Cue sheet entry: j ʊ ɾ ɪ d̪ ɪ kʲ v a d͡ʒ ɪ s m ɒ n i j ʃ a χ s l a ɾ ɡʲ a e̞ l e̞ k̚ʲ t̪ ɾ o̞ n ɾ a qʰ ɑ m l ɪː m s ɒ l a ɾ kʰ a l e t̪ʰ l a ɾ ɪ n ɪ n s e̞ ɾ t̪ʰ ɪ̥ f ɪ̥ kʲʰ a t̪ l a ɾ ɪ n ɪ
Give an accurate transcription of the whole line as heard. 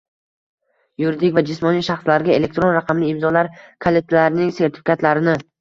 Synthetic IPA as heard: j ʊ ɾ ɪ d̪ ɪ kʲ v a d͡ʒ ɪ s m ɒ n i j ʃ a χ s l a ɾ ɡʲ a e̞ l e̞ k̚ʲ t̪ ɾ o̞ n ɾ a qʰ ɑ m l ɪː m z ɒ l a ɾ kʰ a l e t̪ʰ l a ɾ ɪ n ɪ ŋ s e̞ ɾ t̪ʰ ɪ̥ f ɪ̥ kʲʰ a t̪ l a ɾ ɪ n ɪ